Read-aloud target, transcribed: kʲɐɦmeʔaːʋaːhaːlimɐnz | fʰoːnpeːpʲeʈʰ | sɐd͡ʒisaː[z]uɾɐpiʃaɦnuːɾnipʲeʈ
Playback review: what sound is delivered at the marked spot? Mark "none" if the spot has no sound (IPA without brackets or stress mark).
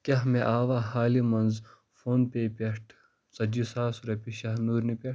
s